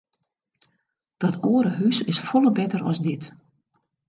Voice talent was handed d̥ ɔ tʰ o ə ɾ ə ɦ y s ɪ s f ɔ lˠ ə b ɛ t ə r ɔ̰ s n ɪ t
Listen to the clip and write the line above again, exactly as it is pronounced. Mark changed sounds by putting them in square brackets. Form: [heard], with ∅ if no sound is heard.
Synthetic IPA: d̥ ɔ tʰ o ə ɾ ə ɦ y s ɪ s f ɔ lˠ ə b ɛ t ə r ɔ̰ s [d] ɪ t